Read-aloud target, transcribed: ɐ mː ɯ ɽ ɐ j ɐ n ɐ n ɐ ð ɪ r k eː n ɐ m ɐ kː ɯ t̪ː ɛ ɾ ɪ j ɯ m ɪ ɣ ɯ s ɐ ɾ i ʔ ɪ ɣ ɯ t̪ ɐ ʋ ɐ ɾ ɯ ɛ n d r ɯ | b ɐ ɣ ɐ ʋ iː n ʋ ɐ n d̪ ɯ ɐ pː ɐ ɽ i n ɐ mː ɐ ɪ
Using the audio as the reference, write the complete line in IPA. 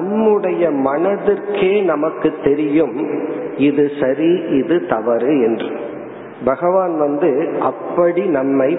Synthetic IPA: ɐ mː ɯ ɽ ɐ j ɐ m ɐ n ɐ ð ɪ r k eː n ɐ m ɐ kː ɯ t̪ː ɛ ɾ ɪ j ɯ m ɪ ð ɯ s ɐ ɾ i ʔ ɪ ð ɯ t̪ ɐ ʋ ɐ ɾ ɯ ɛ n d r ɯ | b ɐ ɣ ɐ ʋ aː n ʋ ɐ n d̪ ɯ ɐ pː ɐ ɽ i n ɐ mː ɐ ɪ